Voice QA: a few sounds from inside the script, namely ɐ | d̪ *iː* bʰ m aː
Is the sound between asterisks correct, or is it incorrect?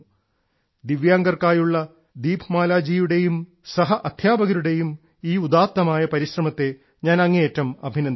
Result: correct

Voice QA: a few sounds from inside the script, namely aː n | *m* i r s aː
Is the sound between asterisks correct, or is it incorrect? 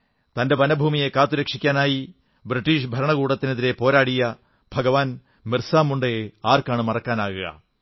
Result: correct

